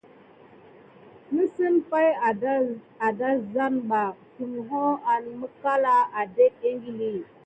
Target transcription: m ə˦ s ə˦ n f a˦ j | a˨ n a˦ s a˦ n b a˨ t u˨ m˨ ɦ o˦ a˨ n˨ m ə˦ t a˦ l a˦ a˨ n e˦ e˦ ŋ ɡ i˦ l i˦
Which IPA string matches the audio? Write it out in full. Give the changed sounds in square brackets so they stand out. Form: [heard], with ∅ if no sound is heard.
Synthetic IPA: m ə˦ s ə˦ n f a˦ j | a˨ [d] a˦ [z] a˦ n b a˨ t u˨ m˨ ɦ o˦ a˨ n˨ m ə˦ [k] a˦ l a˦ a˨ [d] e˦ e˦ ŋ ɡ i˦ l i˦